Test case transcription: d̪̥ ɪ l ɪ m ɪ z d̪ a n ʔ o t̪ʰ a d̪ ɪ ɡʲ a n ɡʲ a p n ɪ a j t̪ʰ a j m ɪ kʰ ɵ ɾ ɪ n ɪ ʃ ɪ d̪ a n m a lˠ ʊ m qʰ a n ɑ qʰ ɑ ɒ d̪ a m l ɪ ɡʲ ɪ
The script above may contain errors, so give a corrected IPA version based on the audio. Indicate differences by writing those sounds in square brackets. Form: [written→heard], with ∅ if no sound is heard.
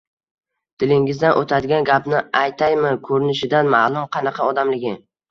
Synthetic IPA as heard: d̪̥ ɪ l ɪ [m→ŋ] ɪ z d̪ a n ʔ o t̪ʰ a d̪ ɪ ɡʲ a n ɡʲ a p n ɪ a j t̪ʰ a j m ɪ kʰ ɵ ɾ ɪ n ɪ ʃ ɪ d̪ a n m a lˠ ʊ m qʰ [a→ɑ] n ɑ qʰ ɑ ɒ d̪ a m l ɪ ɡʲ ɪ